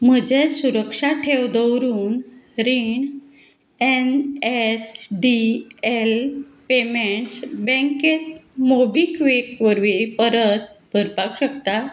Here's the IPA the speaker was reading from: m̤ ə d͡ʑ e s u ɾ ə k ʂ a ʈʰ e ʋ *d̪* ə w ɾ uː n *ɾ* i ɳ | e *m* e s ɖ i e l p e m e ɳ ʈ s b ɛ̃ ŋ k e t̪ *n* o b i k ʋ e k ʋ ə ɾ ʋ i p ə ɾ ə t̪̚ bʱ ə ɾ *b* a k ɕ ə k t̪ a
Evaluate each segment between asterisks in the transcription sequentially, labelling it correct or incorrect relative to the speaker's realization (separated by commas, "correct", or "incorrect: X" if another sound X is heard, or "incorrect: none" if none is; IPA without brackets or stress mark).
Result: correct, correct, incorrect: n, incorrect: m, incorrect: p